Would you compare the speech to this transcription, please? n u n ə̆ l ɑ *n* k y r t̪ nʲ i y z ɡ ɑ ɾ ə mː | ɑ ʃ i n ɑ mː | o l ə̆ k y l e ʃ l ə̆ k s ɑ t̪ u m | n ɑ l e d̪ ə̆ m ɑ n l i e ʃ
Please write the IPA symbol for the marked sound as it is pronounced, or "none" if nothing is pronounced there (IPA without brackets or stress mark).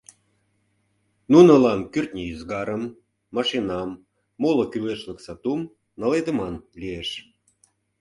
n